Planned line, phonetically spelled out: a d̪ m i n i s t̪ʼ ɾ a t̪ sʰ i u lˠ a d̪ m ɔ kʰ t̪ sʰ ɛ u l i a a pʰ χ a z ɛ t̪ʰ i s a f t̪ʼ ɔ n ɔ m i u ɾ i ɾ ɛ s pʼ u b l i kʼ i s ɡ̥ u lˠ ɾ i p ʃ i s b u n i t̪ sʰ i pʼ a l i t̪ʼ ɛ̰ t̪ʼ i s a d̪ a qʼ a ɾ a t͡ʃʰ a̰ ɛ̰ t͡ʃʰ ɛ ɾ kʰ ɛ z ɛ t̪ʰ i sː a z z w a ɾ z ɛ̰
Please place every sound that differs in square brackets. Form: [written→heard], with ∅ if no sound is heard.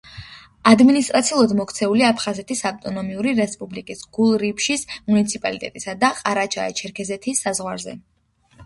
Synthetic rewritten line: a d̪ m i n i s t̪ʼ ɾ a t̪ sʰ i u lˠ a d̪ m ɔ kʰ t̪ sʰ ɛ u l i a a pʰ χ a z ɛ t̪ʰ i s a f t̪ʼ ɔ n ɔ m i u ɾ i ɾ ɛ s pʼ u b l i kʼ i s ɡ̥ u lˠ ɾ i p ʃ i s [b→m] u n i t̪ sʰ i pʼ a l i t̪ʼ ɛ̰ t̪ʼ i s a d̪ a qʼ a ɾ a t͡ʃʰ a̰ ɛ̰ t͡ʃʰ ɛ ɾ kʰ ɛ z ɛ t̪ʰ i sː a z [z→ʁ] w a ɾ z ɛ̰